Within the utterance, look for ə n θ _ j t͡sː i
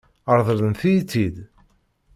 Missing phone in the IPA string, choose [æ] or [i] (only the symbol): i